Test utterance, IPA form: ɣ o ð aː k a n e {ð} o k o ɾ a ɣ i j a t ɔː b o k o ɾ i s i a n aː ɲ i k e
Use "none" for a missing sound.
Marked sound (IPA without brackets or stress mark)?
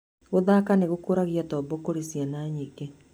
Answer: ɣ